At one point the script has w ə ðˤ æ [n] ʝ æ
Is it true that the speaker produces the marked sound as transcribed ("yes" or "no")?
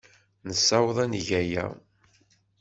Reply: yes